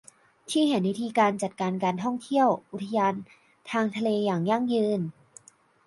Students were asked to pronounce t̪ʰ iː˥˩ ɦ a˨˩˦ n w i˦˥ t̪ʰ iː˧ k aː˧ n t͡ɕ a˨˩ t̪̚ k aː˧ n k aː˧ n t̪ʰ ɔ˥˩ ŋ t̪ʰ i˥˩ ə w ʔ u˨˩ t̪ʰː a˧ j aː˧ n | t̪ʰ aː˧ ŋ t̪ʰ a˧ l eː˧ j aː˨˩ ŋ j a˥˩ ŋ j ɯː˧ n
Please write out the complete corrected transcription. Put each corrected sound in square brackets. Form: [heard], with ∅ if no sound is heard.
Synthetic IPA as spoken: t̪ʰ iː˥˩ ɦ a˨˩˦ n w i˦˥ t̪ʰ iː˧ k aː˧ n t͡ɕ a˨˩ t̪̚ k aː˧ n k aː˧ n t̪ʰ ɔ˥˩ ŋ t̪ʰ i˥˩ ə w ʔ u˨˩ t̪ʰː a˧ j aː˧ n | t̪ʰ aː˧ ŋ t̪ʰ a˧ l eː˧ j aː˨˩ ŋ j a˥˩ ŋ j ɯː˧ n